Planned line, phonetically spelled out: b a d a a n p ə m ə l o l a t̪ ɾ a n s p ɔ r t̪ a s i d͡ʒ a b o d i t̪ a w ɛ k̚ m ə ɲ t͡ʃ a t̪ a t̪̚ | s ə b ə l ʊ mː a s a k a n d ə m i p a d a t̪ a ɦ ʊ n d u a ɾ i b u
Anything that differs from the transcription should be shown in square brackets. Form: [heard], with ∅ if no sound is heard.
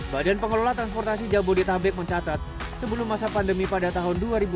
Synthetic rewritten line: b a d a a n p ə [ŋ] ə l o l a t̪ ɾ a n s p ɔ r t̪ a s i d͡ʒ a b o d i t̪ a [b] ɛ k̚ m ə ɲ t͡ʃ a t̪ a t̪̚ | s ə b ə l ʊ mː a s a [p] a n d ə m i p a d a t̪ a ɦ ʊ n d u a ɾ i b u

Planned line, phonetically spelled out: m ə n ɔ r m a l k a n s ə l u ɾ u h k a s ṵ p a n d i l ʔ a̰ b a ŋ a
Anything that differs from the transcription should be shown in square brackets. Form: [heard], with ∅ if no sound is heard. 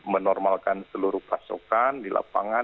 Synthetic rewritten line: m ə n ɔ r m a l k a n s ə l u ɾ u h [p] a s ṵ [k] a n d i l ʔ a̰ [p] a ŋ a

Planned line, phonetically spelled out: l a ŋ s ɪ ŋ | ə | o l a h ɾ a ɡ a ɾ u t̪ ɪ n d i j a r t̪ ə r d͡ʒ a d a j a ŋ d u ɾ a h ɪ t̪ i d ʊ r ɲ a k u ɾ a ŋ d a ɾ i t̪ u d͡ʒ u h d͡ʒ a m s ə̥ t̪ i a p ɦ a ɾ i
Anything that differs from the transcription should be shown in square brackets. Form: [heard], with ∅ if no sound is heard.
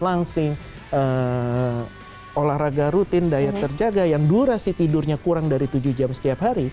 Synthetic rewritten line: l a ŋ s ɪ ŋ | ə | o l a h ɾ a ɡ a ɾ u t̪ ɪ n d [a] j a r t̪ ə r d͡ʒ a [ɡ] a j a ŋ d u ɾ a [s] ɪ t̪ i d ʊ r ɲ a k u ɾ a ŋ d a ɾ i t̪ u d͡ʒ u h d͡ʒ a m s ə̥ t̪ i a p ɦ a ɾ i

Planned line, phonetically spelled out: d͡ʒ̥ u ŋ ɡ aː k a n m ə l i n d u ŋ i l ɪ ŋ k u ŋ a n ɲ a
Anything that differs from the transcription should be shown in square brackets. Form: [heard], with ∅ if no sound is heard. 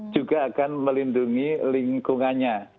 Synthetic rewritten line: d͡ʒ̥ u [∅] ɡ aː k a n m ə l i n d u ŋ i l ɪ ŋ k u ŋ a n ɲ a

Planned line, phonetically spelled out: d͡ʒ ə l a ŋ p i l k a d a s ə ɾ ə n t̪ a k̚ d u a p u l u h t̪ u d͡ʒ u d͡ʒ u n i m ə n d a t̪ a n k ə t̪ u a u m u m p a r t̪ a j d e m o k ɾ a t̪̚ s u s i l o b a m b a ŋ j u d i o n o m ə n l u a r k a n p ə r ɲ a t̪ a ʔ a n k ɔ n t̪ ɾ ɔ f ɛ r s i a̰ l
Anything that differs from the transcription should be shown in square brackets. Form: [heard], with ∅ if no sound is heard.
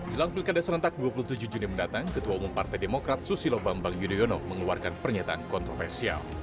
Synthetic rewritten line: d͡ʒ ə l a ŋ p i l k a d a s ə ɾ ə n t̪ a k̚ d u a p u l u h t̪ u d͡ʒ u d͡ʒ u n i m ə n d a t̪ a [ŋ] k ə t̪ u a u m u m p a r t̪ a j d e m o k ɾ a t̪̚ s u s i l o b a m b a ŋ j u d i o n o m ə [ŋ] l u a r k a n p ə r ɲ a t̪ a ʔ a n k ɔ n t̪ ɾ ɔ f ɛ r s i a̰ l

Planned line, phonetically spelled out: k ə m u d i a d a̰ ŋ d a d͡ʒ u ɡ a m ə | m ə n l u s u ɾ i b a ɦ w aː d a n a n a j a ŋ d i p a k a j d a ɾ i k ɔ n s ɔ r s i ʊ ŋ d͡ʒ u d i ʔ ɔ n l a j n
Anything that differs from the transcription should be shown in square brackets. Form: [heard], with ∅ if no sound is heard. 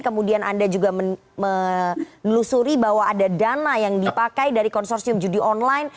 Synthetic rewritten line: k ə m u d i a [n] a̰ [n] d a d͡ʒ u ɡ a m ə | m ə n l u s u ɾ i b a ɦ w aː d a [d] a n a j a ŋ d i p a k a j d a ɾ i k ɔ n s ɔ r s i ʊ [m] d͡ʒ u d i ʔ ɔ n l a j n

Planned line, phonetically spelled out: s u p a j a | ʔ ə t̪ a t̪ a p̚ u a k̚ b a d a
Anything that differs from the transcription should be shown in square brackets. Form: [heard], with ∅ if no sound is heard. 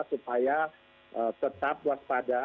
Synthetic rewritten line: s u p a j a | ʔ ə t̪ [ə] t̪ a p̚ [w] a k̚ [p] a d a

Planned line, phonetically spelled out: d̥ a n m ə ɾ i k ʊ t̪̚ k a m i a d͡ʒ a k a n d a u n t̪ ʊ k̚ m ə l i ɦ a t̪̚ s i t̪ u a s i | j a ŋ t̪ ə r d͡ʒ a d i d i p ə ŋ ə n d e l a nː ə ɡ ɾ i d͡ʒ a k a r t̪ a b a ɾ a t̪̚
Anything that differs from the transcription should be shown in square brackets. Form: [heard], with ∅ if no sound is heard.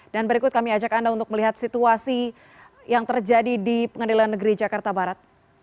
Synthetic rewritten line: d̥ a n [b] ə ɾ i k ʊ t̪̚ k a m i a d͡ʒ a k a n d a u n t̪ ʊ k̚ m ə l i ɦ a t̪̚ s i t̪ u a s i | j a ŋ t̪ ə r d͡ʒ a d i d i p ə ŋ ə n d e l a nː ə ɡ ɾ i d͡ʒ a k a r t̪ a b a ɾ a t̪̚

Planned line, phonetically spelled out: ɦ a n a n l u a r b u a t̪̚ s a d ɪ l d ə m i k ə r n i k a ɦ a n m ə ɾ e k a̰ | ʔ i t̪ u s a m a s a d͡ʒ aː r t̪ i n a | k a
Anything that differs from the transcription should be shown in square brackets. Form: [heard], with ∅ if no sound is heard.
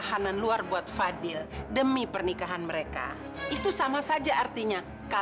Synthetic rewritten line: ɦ a n a n l u a r b u a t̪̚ [f] a d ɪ l d ə m i [p] ə r n i k a ɦ a n m ə ɾ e k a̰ | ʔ i t̪ u s a m a s a d͡ʒ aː r t̪ i [ɲ] a | k a

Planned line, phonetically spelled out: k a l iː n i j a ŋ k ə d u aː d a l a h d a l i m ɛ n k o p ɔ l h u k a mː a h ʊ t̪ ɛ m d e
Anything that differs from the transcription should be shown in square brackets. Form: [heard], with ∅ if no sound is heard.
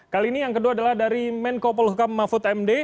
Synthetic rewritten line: k a l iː n i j a ŋ k ə d u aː d a l a h d a [ɾ] i m ɛ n k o p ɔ l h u k a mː a [f] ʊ t̪ ɛ m d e

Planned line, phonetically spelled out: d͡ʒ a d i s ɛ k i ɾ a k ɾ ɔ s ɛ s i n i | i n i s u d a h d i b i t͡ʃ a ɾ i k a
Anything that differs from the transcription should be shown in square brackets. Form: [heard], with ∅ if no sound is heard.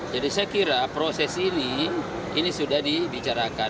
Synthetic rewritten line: d͡ʒ a d i s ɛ k i ɾ a [p] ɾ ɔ s ɛ s i n i | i n i s u d a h d i b i t͡ʃ a ɾ [a] k a

